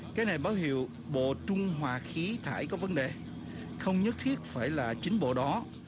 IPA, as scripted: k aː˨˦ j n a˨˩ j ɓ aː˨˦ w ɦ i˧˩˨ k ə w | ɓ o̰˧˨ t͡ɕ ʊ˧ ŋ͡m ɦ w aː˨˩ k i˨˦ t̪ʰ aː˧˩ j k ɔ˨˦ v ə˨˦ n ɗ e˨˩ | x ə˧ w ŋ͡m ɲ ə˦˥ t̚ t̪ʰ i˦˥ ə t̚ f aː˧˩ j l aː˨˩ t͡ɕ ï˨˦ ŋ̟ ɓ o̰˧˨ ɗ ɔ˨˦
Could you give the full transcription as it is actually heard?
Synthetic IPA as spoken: k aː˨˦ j n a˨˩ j ɓ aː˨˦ w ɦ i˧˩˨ ə w | ɓ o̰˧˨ t͡ɕ ʊ˧ ŋ͡m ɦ w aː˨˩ x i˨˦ t̪ʰ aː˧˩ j k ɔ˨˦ v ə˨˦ n ɗ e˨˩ | x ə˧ w ŋ͡m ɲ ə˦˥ t̚ t̪ʰ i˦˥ ə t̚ f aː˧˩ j l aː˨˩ t͡ɕ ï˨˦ ŋ̟ ɓ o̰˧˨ ɗ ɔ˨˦